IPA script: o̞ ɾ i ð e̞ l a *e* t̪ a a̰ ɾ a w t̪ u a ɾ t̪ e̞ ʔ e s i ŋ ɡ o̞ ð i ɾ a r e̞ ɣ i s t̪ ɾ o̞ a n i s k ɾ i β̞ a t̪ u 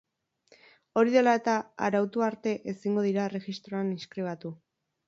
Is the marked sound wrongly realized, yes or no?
no